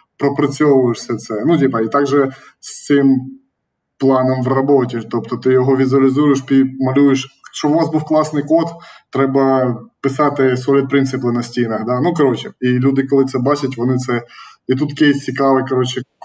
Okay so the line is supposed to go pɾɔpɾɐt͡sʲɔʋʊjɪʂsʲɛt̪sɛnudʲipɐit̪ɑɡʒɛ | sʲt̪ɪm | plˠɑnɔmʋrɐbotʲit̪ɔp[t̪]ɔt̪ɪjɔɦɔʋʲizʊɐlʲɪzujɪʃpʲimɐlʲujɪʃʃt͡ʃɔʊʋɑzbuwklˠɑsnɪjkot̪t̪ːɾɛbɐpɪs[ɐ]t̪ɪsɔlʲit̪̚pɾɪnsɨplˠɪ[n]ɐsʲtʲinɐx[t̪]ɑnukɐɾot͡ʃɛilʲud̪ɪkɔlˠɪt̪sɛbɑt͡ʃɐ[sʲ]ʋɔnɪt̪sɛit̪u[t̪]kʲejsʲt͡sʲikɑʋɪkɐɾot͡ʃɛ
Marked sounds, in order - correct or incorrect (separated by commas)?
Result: correct, incorrect, correct, incorrect, incorrect, correct